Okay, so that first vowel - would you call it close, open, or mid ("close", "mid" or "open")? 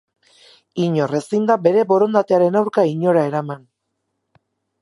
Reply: close